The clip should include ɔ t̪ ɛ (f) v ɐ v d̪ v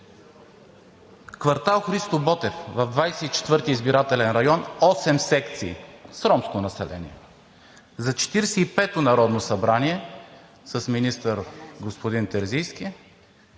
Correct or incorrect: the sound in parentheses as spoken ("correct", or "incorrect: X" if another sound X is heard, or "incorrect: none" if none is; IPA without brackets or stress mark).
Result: correct